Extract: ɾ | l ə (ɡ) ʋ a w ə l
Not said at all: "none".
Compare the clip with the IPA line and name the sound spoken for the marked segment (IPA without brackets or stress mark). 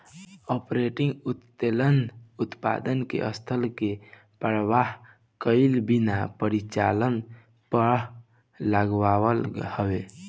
ɡ